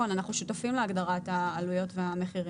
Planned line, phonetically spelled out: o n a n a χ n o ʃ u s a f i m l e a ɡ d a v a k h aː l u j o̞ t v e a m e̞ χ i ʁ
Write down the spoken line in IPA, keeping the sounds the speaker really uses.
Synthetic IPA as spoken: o n a n a χ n u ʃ u t a f i m l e a ɡ d a ʁ a t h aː l u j o̞ t v e a m e̞ χ i ʁ